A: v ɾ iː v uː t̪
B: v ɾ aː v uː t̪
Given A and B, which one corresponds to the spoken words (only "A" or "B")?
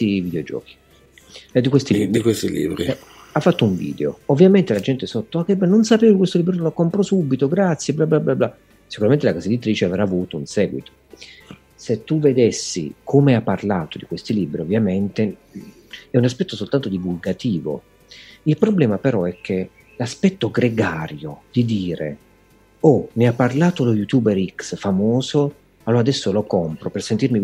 B